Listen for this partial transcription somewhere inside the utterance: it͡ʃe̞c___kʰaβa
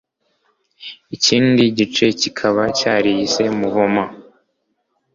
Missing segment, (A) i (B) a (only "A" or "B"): A